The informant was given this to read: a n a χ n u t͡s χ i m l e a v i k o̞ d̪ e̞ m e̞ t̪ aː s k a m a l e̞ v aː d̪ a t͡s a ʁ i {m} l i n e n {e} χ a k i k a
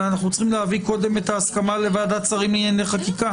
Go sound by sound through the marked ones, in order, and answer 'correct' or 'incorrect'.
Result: correct, correct

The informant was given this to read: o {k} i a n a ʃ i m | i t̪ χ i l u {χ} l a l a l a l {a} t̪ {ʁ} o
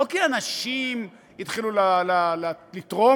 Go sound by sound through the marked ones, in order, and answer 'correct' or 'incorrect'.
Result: correct, incorrect: none, incorrect: i, correct

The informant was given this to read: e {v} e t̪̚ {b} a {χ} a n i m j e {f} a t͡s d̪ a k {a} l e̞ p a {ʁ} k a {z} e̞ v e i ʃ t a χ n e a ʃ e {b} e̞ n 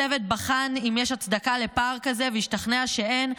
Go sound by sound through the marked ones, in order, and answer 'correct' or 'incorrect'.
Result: correct, correct, correct, incorrect: ʃ, correct, correct, correct, incorrect: none

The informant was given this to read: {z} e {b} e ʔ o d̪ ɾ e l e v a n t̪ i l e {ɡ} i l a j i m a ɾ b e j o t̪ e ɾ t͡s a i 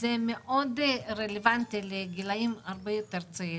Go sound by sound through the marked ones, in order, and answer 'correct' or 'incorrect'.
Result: correct, incorrect: m, correct

